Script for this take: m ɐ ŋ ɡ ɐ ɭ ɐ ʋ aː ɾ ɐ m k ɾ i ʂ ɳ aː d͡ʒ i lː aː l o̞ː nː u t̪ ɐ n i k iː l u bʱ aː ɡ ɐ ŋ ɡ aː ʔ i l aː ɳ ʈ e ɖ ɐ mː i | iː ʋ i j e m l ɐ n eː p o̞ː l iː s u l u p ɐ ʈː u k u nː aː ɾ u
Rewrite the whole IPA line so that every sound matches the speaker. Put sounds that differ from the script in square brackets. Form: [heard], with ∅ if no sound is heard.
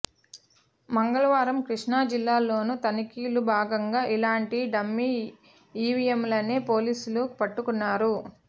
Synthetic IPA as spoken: m ɐ ŋ ɡ ɐ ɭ ɐ ʋ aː ɾ ɐ m k ɾ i ʂ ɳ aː d͡ʒ i lː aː l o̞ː [n] u t̪ ɐ n i k iː l u bʱ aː ɡ ɐ ŋ ɡ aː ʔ i l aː ɳ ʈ [i] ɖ ɐ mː i | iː ʋ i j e m l ɐ n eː p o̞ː l iː s u l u p ɐ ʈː u k u nː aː ɾ u

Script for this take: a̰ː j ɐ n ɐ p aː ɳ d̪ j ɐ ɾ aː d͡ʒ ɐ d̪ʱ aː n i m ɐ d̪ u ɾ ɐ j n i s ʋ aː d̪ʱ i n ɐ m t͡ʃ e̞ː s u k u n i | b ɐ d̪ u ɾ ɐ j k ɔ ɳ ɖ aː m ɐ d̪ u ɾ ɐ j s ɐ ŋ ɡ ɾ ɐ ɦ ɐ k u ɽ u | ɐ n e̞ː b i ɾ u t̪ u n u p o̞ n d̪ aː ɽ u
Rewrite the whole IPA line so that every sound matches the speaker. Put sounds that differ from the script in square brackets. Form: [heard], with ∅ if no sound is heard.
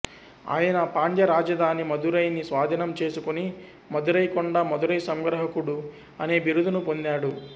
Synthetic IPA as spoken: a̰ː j ɐ n ɐ p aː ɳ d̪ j ɐ ɾ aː d͡ʒ ɐ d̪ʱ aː n i m ɐ d̪ u ɾ ɐ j n i s ʋ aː d̪ʱ i n ɐ m t͡ʃ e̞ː s u k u n i | [m] ɐ d̪ u ɾ ɐ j k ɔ ɳ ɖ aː m ɐ d̪ u ɾ ɐ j s ɐ ŋ ɡ ɾ ɐ ɦ ɐ k u ɽ u | ɐ n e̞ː b i ɾ u [d̪] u n u p o̞ n d̪ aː ɽ u

